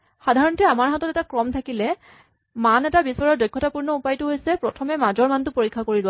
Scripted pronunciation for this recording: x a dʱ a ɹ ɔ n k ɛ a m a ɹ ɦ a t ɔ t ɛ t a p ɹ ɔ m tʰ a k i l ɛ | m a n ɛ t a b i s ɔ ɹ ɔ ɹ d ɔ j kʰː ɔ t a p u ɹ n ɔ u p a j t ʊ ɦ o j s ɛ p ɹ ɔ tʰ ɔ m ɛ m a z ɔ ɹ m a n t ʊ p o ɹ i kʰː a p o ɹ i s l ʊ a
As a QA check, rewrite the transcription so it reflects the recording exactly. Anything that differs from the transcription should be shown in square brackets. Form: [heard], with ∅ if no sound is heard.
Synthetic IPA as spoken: x a dʱ a ɹ ɔ n [t] ɛ a m a ɹ ɦ a t ɔ t ɛ t a [k] ɹ ɔ m tʰ a k i l ɛ | m a n ɛ t a b i s ɔ ɹ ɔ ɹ d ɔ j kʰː ɔ t a p u ɹ n ɔ u p a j t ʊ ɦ o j s ɛ p ɹ ɔ tʰ ɔ m ɛ m a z ɔ ɹ m a n t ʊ p o ɹ i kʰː a [k] o ɹ i [∅] l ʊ a